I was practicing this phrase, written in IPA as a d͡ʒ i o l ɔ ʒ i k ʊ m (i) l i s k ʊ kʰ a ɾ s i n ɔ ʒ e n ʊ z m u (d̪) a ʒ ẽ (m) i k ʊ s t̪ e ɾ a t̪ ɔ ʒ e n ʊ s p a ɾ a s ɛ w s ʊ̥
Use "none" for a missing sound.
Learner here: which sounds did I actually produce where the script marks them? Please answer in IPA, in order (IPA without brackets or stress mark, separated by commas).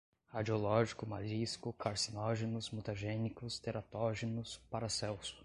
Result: a, t̪, n